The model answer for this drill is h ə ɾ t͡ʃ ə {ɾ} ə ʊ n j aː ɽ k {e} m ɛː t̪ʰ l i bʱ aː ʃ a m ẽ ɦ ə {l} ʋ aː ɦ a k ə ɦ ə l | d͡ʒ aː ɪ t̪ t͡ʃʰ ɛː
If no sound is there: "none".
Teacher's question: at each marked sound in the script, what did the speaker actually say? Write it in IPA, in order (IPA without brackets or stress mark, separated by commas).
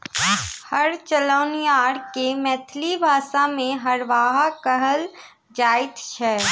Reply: l, e, ɾ